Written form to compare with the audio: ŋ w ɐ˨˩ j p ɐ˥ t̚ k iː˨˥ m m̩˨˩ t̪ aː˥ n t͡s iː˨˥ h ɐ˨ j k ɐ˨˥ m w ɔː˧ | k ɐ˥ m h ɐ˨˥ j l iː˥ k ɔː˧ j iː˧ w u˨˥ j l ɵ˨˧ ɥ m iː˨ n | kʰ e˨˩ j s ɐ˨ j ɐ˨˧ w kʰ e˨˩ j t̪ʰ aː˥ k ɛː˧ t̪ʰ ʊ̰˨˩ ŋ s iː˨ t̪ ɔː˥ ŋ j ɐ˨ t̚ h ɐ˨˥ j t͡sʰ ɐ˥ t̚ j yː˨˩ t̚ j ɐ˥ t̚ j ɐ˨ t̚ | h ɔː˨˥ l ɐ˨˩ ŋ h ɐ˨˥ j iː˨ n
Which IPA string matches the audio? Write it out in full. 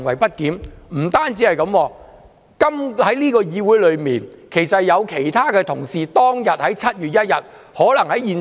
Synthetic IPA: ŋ w ɐ˨˩ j p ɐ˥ t̚ k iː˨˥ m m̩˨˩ t̪ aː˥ n t͡s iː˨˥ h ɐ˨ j k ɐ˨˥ m w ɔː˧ | k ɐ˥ m h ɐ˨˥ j l iː˥ k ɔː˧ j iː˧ w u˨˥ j l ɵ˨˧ ɥ m iː˨ n | kʰ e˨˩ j s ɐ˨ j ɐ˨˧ w kʰ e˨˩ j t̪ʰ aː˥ k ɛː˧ t̪ʰ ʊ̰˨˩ ŋ s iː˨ t̪ ɔː˥ ŋ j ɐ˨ t̚ h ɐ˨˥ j t͡sʰ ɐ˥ t̚ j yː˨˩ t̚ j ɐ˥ t̚ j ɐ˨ t̚ | h ɔː˨˥ l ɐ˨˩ ŋ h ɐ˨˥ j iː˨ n

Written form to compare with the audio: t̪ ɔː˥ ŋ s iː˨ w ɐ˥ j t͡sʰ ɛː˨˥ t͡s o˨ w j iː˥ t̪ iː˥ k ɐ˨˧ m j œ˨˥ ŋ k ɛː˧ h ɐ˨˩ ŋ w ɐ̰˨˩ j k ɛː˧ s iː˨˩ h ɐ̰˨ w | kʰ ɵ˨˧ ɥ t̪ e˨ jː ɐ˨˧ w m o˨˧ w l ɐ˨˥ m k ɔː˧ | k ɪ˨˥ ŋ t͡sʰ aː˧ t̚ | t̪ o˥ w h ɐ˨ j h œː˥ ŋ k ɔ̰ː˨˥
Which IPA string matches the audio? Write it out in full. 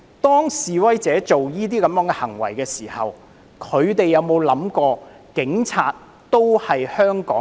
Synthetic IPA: t̪ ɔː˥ ŋ s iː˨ w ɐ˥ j t͡s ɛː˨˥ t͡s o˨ w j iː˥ t̪ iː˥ k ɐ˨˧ m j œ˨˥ ŋ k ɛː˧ h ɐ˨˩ ŋ w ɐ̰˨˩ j k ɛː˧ s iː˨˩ h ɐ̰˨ w | kʰ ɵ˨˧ ɥ t̪ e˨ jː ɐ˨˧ w m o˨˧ w l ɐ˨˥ m k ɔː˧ | k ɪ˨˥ ŋ t͡sʰ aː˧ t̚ | t̪ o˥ w h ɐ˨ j h œː˥ ŋ k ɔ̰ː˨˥

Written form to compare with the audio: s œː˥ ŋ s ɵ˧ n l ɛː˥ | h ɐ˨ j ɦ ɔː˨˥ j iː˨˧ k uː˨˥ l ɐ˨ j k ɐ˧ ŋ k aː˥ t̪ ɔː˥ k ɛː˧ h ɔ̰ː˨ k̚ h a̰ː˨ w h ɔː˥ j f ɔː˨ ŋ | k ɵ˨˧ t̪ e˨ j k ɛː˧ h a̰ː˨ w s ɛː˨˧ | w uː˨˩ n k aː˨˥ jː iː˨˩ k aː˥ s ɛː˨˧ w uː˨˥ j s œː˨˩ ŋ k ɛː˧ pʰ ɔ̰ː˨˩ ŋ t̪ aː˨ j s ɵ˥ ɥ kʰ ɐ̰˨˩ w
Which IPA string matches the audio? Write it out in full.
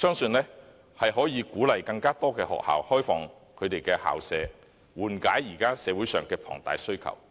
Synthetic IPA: s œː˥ ŋ s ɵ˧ n l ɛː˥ | h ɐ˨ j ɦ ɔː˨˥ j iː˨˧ k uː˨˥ l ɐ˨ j k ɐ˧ ŋ k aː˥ t̪ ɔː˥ k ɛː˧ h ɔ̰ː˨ k̚ h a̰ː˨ w h ɔː˥ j f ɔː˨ ŋ | kʰ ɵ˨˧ t̪ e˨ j k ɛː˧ h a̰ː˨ w s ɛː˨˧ | w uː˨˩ n k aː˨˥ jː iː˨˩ k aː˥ s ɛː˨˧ w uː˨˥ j s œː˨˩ ŋ k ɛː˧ pʰ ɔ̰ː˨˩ ŋ t̪ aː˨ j s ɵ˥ ɥ kʰ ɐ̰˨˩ w

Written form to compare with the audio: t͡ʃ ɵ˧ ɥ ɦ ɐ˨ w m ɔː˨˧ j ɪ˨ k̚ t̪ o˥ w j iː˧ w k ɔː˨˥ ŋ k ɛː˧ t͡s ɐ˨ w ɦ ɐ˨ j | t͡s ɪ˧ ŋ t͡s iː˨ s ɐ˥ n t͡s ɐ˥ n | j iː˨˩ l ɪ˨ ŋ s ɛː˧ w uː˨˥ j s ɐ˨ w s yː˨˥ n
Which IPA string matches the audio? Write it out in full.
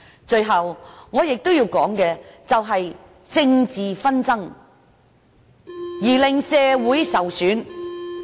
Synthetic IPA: t͡ʃ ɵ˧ ɥ ɦ ɐ˨ w ŋ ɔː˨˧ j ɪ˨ k̚ t̪ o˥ w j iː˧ w k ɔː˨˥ ŋ k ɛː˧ t͡s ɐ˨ w ɦ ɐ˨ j | t͡s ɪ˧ ŋ t͡s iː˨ f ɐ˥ n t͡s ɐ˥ ŋ | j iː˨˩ l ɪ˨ ŋ s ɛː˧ w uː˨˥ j s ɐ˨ w s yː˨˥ n

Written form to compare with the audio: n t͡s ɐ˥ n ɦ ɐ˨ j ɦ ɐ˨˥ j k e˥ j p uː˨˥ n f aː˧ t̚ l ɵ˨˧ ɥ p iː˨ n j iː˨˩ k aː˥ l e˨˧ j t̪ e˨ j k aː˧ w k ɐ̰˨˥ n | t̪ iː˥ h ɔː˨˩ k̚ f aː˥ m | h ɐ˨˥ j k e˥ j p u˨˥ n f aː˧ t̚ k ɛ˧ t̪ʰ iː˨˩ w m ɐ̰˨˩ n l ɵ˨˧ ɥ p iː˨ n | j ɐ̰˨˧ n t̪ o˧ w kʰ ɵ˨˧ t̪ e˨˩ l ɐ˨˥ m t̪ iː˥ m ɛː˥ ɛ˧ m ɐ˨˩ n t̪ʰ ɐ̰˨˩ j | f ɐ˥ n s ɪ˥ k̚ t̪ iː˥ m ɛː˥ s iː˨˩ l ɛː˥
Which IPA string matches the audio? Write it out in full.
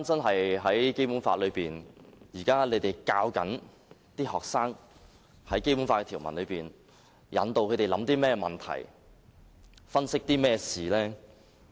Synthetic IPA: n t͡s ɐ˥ n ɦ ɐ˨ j ɦ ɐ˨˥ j k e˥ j p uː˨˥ n f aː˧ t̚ l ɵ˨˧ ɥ p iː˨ n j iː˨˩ k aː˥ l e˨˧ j t̪ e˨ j k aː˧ w k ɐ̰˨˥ n | t̪ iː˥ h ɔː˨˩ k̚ s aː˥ ŋ | h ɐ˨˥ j k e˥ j p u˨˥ n f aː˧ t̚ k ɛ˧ t̪ʰ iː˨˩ w m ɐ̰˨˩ n l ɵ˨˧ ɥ p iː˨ n | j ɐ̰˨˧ n t̪ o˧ w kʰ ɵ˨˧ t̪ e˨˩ l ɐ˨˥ m t̪ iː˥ m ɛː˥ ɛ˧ m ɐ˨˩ n t̪ʰ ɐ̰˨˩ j | f ɐ˥ n s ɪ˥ k̚ t̪ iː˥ m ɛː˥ s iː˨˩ l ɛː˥

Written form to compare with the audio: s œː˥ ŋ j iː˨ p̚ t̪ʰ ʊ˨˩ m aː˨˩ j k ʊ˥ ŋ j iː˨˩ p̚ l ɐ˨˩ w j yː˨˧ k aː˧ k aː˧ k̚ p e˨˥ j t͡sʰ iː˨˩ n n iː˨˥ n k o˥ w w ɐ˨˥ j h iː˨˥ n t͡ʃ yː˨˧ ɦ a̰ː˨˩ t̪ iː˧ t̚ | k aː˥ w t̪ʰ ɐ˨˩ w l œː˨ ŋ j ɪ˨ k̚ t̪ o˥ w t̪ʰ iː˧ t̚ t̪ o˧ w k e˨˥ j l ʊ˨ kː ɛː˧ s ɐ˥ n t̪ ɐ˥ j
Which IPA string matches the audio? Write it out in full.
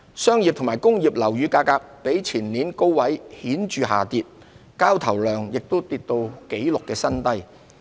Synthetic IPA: s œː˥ ŋ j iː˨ p̚ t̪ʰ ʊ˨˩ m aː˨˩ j k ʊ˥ ŋ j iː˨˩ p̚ l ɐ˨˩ w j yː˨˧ k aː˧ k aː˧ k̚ p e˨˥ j t͡sʰ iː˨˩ n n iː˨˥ n k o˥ w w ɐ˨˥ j h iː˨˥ n t͡ʃ yː˨˧ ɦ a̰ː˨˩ t̪ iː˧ t̚ | k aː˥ w t̪ʰ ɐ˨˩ w l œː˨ ŋ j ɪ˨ k̚ t̪ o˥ w t̪ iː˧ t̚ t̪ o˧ w k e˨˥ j l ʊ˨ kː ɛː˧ s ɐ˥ n t̪ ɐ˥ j

